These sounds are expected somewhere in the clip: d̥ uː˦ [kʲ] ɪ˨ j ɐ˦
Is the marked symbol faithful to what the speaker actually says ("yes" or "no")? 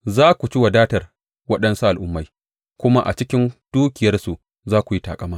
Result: yes